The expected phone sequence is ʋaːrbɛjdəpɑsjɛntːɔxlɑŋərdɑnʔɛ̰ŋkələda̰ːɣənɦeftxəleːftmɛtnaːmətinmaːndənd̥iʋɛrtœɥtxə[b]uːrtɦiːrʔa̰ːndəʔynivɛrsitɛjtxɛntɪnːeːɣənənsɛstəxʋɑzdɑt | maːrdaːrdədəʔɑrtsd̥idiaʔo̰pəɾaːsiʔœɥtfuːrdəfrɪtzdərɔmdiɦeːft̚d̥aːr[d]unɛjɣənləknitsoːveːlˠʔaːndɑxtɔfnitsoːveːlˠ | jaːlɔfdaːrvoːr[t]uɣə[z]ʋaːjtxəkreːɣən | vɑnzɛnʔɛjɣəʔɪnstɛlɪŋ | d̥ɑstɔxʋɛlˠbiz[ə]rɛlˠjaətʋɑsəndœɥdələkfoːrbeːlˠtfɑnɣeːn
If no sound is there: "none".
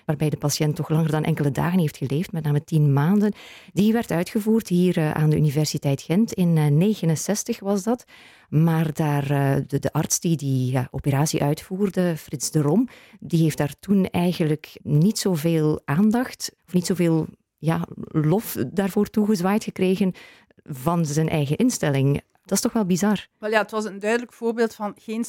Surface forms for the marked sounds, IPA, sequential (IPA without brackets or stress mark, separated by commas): v, t, t, z, ɑ